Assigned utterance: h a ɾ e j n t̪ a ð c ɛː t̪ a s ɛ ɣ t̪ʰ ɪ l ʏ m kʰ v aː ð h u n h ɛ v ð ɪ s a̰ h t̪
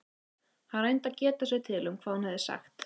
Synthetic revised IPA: h a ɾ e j n t̪ a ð c ɛː t̪ a s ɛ ɣ t̪ʰ ɪ l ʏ m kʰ v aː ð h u n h ɛ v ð ɪ s a̰ x t̪